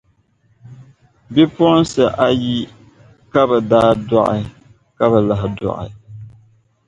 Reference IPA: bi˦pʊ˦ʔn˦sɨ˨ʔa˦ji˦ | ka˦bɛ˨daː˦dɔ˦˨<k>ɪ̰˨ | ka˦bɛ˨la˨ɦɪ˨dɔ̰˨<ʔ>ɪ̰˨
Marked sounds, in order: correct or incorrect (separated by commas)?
incorrect, correct